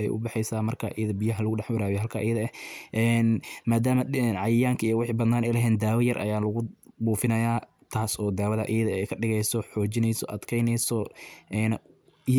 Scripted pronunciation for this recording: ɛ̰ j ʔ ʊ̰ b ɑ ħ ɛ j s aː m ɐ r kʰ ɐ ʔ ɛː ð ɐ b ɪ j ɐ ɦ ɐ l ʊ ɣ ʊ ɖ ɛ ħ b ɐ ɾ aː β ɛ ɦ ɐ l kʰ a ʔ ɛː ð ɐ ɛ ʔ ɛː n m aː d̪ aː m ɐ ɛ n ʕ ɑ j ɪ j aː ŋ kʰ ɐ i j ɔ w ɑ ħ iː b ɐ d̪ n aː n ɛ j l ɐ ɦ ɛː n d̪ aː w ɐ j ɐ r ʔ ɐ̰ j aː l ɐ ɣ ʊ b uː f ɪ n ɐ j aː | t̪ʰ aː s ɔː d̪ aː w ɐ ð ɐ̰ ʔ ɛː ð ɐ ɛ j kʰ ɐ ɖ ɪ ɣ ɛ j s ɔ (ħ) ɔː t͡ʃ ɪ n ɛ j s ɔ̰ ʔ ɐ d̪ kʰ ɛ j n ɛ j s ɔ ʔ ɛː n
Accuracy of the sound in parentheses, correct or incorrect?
correct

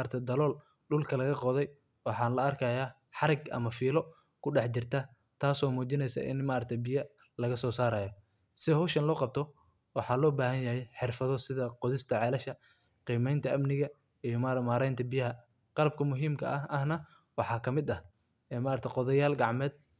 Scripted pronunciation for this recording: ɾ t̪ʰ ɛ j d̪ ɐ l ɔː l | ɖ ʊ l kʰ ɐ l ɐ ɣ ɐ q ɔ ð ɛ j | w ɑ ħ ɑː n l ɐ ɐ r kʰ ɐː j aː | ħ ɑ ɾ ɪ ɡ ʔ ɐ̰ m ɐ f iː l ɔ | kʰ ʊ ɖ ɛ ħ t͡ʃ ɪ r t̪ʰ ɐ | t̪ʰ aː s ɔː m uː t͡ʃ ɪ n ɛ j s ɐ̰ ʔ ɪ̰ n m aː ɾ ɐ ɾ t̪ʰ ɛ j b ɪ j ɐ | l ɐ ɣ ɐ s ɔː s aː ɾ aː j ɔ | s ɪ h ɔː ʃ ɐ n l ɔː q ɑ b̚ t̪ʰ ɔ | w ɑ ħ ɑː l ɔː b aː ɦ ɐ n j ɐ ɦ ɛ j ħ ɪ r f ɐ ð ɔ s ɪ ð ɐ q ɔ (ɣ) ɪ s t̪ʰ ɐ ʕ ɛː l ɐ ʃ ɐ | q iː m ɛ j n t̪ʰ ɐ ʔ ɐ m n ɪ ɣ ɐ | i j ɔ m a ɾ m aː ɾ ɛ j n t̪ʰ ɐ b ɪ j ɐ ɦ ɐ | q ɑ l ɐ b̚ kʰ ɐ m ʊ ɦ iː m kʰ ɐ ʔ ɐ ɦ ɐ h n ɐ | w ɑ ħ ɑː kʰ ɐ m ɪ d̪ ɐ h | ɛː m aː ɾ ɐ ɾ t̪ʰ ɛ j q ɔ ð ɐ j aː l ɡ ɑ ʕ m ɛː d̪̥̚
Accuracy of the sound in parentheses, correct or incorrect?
incorrect: ð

